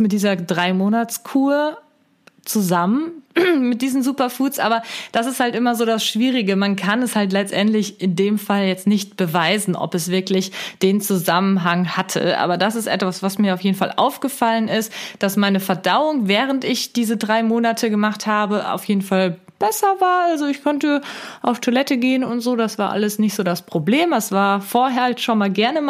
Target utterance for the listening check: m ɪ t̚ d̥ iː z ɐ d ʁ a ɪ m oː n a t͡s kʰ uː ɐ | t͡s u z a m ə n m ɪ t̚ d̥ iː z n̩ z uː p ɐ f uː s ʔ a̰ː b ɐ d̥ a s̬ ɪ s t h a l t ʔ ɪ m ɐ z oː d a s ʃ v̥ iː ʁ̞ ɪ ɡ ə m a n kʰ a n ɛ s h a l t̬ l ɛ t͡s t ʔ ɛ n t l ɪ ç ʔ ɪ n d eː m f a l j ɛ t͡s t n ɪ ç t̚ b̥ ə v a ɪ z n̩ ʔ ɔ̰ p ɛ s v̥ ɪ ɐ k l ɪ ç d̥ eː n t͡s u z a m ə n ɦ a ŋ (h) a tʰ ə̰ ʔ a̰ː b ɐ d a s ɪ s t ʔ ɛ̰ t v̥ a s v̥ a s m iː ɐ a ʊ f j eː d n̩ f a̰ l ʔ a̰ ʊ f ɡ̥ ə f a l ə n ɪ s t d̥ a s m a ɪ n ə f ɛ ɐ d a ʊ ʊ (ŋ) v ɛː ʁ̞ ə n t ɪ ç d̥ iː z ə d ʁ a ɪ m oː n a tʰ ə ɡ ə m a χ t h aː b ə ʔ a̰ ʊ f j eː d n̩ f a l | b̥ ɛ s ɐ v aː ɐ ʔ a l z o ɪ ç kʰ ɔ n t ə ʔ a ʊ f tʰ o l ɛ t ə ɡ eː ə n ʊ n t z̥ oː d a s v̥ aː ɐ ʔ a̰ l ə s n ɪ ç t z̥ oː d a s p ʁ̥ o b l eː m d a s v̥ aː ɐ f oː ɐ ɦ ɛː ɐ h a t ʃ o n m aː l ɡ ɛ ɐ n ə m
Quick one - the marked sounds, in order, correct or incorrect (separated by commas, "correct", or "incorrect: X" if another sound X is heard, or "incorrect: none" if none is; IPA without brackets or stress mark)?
correct, correct